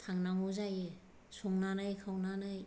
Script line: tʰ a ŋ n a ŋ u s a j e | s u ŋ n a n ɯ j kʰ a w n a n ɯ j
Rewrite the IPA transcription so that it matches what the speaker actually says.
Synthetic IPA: tʰ a ŋ n a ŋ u z a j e | s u ŋ n a n ɯ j kʰ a w n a n ɯ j